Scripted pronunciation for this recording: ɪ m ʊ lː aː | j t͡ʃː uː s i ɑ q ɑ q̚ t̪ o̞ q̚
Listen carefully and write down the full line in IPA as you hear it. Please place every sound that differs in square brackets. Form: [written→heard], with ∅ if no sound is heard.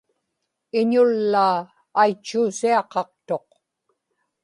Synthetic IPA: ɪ [m→ɲ] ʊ lː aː | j t͡ʃː uː s i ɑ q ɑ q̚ t̪ o̞ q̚